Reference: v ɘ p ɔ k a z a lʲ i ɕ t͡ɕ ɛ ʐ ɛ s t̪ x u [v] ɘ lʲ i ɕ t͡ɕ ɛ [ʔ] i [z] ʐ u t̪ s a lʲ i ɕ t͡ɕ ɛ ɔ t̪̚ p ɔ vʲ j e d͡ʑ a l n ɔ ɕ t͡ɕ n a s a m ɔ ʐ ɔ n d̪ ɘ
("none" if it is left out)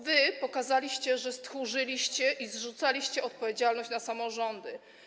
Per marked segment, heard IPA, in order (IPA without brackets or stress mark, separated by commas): ʐ, ʔ, z